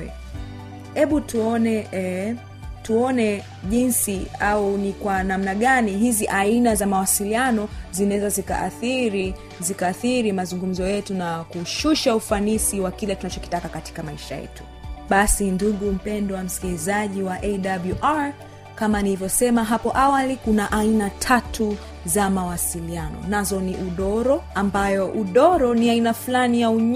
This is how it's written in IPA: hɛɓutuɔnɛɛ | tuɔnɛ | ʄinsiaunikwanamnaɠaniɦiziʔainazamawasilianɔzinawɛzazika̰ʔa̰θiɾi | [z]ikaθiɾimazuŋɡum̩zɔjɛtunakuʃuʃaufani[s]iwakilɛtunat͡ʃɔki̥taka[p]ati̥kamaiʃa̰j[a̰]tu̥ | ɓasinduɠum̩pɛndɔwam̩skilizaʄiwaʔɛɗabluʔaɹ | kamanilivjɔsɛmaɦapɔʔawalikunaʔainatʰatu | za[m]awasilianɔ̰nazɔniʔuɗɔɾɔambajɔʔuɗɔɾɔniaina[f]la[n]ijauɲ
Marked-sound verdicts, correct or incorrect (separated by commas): correct, correct, incorrect, incorrect, correct, correct, correct